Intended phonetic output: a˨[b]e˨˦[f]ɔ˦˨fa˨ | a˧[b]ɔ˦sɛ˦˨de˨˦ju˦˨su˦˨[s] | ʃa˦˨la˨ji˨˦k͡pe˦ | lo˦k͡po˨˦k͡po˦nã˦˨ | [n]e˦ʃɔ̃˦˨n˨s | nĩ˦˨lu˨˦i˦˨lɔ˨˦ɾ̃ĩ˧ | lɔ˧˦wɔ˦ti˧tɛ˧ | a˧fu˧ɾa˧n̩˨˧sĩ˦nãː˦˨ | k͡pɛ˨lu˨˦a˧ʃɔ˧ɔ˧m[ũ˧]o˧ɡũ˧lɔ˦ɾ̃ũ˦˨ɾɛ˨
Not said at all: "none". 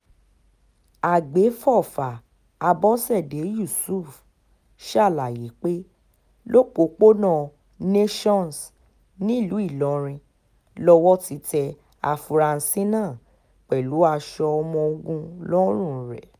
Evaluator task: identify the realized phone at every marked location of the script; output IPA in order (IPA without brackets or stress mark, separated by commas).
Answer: ɡ͡b, f, b, f, n, ɔ̃˧